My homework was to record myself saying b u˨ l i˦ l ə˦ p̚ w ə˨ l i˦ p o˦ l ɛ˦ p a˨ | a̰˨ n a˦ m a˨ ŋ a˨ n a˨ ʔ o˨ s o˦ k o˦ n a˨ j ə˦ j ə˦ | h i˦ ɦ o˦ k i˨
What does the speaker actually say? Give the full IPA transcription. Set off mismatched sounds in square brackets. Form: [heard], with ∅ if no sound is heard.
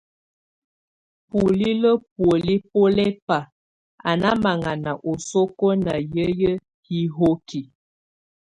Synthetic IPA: [p] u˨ l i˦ l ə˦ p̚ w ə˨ l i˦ p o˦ l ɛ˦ p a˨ | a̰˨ n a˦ m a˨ ŋ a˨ n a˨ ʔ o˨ s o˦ k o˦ n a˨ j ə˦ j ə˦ | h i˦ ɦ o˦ k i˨